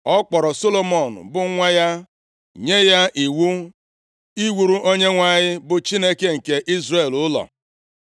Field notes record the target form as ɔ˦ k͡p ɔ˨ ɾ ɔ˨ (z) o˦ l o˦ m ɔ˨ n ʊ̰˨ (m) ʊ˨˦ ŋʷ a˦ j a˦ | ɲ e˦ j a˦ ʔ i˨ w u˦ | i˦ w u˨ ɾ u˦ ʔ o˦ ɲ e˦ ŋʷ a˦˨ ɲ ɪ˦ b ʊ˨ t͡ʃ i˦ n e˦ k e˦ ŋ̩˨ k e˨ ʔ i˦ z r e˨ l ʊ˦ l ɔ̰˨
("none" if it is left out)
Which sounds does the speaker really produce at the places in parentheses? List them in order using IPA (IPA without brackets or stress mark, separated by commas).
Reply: s, b